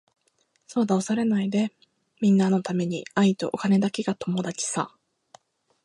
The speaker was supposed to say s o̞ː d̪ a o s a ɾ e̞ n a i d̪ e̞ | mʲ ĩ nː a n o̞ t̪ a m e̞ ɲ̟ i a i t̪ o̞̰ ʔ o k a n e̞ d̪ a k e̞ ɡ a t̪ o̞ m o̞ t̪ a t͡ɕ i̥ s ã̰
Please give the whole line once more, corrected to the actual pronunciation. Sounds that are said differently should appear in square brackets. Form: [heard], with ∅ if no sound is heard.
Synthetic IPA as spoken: s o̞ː d̪ a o s a ɾ e̞ n a i d̪ e̞ | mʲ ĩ nː a n o̞ t̪ a m e̞ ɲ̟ i a i t̪ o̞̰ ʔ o k a n e̞ d̪ a k e̞ ɡ a t̪ o̞ m o̞ [d̪] a t͡ɕ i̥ s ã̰